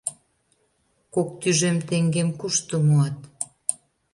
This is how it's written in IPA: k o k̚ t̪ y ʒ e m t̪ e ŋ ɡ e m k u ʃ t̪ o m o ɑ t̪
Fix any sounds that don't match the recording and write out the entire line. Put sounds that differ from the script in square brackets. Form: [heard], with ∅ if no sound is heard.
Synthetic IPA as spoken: k o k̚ t̪ y ʒ e m t̪ e ŋ ɡ e m k u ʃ t̪ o m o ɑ t̪